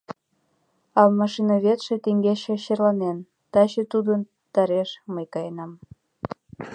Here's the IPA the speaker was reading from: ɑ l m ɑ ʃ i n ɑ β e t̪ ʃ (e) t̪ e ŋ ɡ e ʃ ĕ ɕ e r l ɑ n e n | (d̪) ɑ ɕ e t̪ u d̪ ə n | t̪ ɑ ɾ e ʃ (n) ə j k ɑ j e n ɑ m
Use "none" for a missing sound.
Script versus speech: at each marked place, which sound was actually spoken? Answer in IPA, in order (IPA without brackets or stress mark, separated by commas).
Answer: e, t̪, m